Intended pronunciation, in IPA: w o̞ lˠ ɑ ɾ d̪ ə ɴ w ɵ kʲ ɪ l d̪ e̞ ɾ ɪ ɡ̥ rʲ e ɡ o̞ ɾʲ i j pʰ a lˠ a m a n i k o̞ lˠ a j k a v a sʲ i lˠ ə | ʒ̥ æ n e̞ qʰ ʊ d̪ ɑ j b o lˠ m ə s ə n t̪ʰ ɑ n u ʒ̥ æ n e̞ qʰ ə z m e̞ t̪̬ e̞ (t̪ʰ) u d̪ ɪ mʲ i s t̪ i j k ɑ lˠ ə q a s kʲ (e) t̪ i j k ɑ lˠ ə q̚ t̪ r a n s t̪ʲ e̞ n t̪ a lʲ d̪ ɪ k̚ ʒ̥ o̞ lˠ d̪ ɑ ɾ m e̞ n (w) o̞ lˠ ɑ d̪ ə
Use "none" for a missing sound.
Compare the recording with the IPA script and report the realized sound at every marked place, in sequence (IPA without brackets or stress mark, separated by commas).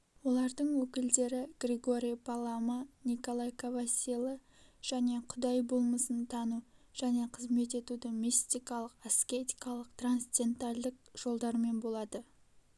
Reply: t̪, e, b